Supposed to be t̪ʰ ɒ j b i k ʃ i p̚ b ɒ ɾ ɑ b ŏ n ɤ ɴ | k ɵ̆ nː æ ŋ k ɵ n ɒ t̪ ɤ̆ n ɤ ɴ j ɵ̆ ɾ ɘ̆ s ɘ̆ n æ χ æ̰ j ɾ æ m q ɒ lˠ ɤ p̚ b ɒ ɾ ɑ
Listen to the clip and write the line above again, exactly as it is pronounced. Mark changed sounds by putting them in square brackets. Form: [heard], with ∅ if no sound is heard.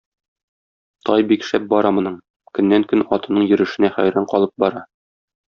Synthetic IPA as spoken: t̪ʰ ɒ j b i k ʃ [æ] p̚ b ɒ ɾ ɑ [m] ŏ n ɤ ɴ | k ɵ̆ nː æ ŋ k ɵ n ɒ t̪ ɤ̆ n ɤ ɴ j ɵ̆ ɾ ɘ̆ [ʃ] ɘ̆ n æ χ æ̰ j ɾ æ [ɴ] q ɒ lˠ ɤ p̚ b ɒ ɾ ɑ

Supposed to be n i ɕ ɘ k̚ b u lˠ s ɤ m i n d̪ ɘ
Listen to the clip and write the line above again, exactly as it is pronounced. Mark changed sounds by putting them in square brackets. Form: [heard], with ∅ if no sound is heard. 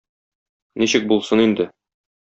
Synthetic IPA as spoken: n i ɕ ɘ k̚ b u lˠ s ɤ [n] i n d̪ ɘ

